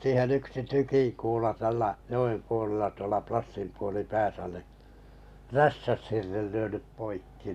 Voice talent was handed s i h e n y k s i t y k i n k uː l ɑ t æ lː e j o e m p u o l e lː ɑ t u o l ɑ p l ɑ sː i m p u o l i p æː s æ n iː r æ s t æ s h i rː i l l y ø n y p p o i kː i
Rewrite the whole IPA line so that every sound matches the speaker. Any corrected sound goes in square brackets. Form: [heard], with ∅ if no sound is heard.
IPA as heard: s [iː] h e n y k s i t y k i [ŋ] k uː l ɑ t æ lː [æ] j o e m p u o l e lː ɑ t u o l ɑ p l ɑ sː i m p u o l i p æː s æ n [i] r æ s t æ s h i rː [e] l l y ø n y p p o i kː i